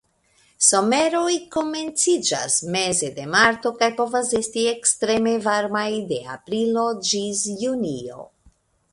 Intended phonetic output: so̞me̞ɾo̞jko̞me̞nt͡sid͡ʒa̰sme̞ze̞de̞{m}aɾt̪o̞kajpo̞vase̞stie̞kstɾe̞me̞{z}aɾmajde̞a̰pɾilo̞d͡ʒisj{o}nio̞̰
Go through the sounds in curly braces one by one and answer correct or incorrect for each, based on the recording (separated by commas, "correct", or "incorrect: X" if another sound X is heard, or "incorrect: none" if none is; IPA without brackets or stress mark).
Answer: correct, incorrect: v, incorrect: u